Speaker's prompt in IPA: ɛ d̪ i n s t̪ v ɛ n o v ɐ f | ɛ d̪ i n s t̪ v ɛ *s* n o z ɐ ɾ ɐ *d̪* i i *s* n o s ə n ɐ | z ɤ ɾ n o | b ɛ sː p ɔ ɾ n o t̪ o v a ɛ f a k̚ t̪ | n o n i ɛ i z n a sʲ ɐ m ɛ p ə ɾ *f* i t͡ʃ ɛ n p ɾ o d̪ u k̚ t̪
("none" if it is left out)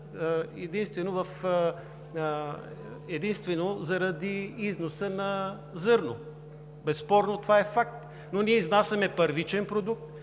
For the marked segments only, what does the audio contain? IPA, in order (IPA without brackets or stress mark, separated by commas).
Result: none, d̪, z, v